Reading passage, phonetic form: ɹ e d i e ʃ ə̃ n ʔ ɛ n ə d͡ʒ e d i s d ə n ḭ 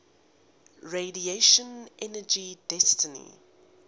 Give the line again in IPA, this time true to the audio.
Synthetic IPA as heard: ɹ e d i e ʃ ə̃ n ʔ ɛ n ə d͡ʒ i d ɛ s t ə n ḭ